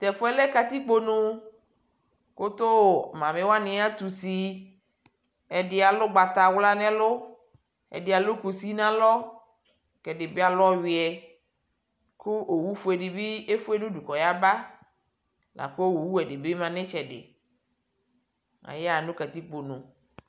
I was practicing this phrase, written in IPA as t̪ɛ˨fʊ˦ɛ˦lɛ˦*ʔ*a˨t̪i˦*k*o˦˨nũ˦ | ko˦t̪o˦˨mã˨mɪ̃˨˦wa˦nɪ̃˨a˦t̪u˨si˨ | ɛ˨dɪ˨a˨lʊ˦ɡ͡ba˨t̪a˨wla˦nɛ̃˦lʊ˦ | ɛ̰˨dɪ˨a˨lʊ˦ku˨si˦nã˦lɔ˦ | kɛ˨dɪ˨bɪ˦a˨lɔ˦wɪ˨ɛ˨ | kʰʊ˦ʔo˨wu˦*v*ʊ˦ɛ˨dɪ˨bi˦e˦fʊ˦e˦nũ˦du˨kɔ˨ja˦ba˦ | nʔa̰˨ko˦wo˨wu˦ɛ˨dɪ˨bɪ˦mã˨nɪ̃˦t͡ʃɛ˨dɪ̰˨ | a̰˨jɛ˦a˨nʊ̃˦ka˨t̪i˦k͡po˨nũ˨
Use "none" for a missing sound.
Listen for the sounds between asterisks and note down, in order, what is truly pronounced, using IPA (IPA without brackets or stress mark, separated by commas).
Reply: k, k͡p, f